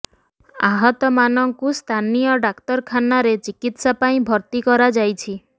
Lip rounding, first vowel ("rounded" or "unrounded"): unrounded